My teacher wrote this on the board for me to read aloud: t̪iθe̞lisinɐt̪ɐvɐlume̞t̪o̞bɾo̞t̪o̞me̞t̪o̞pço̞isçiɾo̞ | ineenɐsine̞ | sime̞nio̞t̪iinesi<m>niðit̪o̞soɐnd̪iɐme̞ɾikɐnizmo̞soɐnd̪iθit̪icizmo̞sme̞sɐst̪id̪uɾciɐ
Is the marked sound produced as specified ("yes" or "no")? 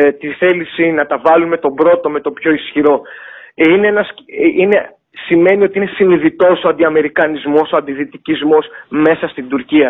no